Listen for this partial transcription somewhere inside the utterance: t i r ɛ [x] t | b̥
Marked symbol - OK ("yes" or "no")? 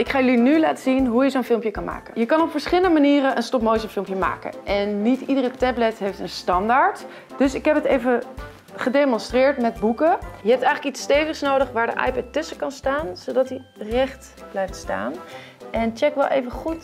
no